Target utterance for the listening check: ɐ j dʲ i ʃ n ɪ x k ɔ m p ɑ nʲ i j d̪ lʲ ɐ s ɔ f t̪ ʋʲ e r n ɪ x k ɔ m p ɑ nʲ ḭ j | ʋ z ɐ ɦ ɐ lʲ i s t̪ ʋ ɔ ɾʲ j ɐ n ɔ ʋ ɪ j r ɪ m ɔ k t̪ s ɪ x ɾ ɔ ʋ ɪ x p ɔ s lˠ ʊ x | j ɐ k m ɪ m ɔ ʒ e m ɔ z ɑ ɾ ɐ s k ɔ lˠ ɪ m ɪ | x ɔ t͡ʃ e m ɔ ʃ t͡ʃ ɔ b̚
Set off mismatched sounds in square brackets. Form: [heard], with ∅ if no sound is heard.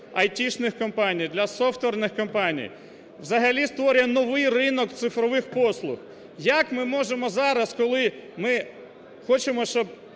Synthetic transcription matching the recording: ɐ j [tʲ] i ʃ n ɪ x k ɔ m p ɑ nʲ i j d̪ lʲ ɐ s ɔ f t̪ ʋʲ e r n ɪ x k ɔ m p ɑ nʲ ḭ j | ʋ z ɐ ɦ ɐ lʲ i s t̪ ʋ ɔ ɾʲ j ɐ n ɔ ʋ ɪ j r ɪ [n] ɔ k t̪ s ɪ [f] ɾ ɔ ʋ ɪ x p ɔ s lˠ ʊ x | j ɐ k m ɪ m ɔ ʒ e m ɔ z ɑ ɾ ɐ s k ɔ lˠ ɪ m ɪ | x ɔ t͡ʃ e m ɔ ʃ t͡ʃ ɔ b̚